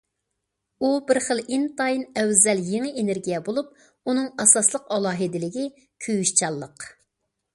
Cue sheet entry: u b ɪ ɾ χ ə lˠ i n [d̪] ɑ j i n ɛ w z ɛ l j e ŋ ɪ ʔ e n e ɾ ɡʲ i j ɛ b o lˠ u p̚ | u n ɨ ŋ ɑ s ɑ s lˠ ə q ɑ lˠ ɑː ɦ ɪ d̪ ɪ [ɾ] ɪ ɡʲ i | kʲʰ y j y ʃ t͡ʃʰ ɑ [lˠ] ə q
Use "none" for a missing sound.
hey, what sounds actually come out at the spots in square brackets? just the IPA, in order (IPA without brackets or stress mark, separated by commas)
t̪, l, lˠː